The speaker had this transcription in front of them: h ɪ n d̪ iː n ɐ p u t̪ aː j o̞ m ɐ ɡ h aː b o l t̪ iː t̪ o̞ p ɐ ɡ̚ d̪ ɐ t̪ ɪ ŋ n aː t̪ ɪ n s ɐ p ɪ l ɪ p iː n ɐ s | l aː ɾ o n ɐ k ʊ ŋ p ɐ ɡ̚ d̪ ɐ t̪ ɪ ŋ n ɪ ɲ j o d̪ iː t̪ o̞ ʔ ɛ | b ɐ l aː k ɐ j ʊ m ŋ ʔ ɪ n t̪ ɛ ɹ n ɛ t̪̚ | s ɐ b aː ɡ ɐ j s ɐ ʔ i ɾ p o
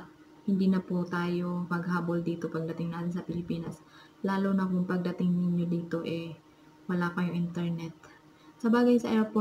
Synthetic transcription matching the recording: h ɪ n d̪ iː n ɐ p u t̪ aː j o̞ m ɐ ɡ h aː b o l d̪ iː t̪ o̞ p ɐ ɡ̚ d̪ ɐ t̪ ɪ ŋ n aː t̪ ɪ n s ɐ p ɪ l ɪ p iː n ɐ s | l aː l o n ɐ k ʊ ŋ p ɐ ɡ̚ d̪ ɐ t̪ ɪ ŋ n ɪ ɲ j o d̪ iː t̪ o̞ ʔ ɛ | w ɐ l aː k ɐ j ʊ ŋ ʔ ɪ n t̪ ɛ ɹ n ɛ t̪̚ | s ɐ b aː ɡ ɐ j s ɐ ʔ ɛ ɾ p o